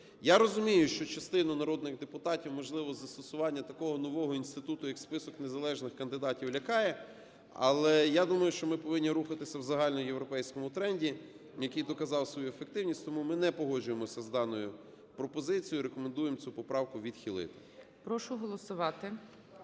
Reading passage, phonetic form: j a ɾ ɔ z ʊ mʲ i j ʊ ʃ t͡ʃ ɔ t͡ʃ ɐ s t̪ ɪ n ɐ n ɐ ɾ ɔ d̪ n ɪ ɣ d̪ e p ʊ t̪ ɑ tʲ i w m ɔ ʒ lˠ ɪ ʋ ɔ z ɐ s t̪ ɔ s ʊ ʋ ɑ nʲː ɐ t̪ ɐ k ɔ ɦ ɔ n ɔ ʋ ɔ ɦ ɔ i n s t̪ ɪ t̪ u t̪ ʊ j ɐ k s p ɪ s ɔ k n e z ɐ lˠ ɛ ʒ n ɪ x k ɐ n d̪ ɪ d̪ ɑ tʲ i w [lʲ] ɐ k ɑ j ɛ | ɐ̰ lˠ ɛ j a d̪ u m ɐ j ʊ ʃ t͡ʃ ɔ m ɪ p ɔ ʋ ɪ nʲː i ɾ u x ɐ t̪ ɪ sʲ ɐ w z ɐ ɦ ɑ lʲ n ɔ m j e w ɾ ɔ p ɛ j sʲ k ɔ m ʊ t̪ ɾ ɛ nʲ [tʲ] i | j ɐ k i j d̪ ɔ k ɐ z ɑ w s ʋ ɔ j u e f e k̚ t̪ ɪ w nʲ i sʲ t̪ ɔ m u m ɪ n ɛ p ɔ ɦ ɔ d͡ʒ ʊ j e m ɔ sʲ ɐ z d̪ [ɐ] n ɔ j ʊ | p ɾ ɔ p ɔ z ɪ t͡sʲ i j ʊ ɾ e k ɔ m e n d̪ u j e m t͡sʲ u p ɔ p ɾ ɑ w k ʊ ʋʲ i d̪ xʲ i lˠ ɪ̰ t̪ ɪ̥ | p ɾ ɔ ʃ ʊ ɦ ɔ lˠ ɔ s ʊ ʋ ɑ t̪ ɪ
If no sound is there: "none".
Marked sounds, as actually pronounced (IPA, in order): lʲ, dʲ, ɑ

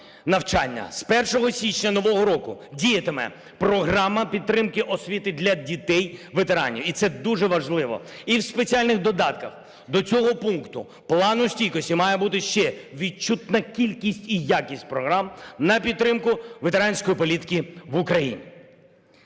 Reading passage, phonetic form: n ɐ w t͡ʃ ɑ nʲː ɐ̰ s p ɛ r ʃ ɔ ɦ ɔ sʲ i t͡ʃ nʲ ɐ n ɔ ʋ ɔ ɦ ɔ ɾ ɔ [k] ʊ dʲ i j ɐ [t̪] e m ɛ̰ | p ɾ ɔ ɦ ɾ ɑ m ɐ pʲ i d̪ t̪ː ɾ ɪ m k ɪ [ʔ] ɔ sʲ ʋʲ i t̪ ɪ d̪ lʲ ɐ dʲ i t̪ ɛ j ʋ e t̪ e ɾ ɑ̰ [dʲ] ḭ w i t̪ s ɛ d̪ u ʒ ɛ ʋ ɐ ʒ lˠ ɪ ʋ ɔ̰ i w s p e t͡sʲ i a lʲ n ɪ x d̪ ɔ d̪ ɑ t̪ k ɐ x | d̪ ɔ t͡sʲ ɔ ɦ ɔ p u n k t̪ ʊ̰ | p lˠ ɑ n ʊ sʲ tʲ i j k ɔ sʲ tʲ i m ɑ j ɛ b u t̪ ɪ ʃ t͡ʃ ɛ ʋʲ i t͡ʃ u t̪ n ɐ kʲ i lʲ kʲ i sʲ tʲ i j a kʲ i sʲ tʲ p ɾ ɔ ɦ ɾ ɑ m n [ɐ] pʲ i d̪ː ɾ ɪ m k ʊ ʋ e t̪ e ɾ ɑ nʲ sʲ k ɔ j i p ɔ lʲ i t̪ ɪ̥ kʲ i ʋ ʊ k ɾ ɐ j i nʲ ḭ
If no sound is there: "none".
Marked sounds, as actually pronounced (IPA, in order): k, t̪, ʔ, nʲ, ɐ

